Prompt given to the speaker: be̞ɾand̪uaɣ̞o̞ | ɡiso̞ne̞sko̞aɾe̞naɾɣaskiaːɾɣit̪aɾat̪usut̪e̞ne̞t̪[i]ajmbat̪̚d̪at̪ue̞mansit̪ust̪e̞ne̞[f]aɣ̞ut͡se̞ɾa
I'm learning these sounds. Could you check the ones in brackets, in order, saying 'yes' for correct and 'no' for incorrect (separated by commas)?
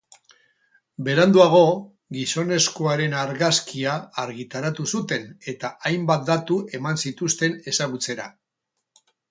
no, no